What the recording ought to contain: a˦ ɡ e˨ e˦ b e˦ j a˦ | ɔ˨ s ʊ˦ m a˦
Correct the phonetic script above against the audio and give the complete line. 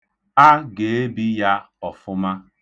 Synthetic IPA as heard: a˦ ɡ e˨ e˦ b i˦ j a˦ | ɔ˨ f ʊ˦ m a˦